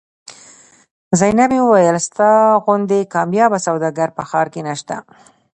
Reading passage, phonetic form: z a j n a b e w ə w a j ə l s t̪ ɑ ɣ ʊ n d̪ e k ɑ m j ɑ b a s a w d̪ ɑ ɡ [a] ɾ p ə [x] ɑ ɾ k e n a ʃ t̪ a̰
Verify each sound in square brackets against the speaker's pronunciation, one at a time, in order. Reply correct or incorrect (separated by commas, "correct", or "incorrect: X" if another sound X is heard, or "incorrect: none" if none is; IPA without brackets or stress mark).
correct, correct